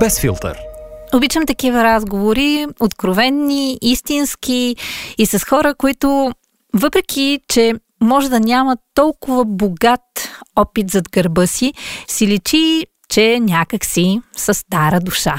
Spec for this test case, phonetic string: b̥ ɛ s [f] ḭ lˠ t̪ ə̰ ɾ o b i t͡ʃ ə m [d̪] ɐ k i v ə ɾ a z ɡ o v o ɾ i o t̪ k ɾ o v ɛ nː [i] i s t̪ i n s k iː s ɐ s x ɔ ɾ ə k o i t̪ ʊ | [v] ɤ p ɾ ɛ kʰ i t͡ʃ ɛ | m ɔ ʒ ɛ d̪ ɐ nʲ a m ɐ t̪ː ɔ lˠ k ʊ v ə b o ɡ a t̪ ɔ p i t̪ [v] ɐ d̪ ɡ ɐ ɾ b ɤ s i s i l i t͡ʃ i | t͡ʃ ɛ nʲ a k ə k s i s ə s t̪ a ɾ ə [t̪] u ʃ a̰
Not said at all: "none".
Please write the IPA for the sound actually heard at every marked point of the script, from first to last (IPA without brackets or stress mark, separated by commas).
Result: f, t̪, i, v, z, d̪